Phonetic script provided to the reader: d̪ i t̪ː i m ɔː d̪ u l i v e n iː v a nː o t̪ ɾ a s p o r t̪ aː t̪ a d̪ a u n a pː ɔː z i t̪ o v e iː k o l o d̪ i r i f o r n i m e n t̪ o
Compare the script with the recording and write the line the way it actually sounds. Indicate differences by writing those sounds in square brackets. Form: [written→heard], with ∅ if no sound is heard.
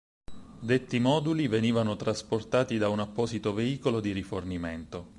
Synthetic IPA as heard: d̪ [i→e] t̪ː i m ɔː d̪ u l i v e n iː v a [nː→n] o t̪ ɾ a s p o r t̪ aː t̪ [a→i] d̪ a u n a pː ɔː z i t̪ o v e iː k o l o d̪ i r i f o r n i m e n t̪ o